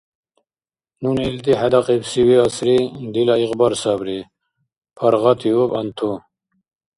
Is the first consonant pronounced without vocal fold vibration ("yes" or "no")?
no